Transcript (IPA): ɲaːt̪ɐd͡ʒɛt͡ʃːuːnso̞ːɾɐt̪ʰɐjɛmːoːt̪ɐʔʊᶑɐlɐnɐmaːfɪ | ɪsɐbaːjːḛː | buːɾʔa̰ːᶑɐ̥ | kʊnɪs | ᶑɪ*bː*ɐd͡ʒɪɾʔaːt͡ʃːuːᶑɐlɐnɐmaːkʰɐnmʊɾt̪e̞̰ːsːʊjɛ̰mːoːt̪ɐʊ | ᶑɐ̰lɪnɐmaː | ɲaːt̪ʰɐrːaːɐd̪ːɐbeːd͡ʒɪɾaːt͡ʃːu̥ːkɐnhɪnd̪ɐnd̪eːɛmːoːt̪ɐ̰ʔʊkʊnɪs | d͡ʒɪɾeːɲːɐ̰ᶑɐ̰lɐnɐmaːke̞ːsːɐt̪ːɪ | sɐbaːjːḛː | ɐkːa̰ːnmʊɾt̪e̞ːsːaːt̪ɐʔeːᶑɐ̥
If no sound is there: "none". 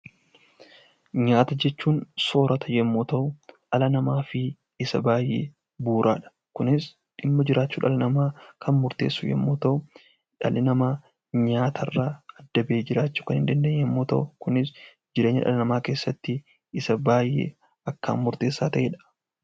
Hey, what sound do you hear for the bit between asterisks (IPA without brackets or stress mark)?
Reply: mː